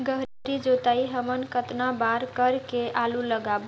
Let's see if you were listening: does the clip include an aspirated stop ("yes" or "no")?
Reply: no